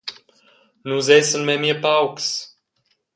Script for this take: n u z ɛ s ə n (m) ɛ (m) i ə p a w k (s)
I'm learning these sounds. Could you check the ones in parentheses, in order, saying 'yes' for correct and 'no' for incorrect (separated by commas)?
yes, yes, yes